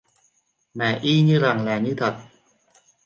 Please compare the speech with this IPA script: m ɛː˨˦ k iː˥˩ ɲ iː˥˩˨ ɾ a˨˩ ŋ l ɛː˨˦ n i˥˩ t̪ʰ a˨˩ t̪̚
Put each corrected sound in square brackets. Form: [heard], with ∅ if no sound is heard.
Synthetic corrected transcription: m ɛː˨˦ [ʔ] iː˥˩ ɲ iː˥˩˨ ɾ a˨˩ ŋ l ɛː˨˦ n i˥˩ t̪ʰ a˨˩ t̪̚